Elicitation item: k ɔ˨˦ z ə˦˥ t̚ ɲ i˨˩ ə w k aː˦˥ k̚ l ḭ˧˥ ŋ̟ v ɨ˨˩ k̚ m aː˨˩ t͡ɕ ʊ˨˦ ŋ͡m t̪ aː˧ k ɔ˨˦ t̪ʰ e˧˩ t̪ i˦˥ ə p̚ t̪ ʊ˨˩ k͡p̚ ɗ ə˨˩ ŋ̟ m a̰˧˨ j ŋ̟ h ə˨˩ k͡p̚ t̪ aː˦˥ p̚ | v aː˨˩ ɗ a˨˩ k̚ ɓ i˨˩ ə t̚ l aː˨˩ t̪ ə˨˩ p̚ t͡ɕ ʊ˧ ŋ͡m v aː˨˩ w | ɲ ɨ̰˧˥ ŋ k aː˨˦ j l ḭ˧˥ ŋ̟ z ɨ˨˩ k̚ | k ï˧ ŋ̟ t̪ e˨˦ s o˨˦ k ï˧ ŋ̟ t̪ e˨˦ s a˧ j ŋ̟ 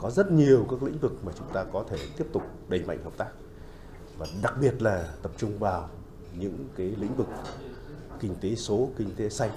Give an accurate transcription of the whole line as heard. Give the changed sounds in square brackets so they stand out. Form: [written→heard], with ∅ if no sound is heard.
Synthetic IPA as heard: k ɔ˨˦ z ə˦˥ t̚ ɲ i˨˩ ə w k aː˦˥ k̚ l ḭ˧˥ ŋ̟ v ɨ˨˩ k̚ m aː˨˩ t͡ɕ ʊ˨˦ ŋ͡m t̪ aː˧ k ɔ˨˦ t̪ʰ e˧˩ t̪ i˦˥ ə p̚ t̪ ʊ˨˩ k͡p̚ ɗ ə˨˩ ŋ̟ m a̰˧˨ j ŋ̟ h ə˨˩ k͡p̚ t̪ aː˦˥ [p̚→k̚] | v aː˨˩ ɗ a˨˩ k̚ ɓ i˨˩ ə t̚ l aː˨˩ t̪ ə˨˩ p̚ t͡ɕ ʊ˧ ŋ͡m v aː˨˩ w | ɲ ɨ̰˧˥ ŋ k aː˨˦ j l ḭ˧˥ ŋ̟ [z→v] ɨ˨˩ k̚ | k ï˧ ŋ̟ t̪ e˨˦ s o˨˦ k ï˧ ŋ̟ t̪ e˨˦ s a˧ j ŋ̟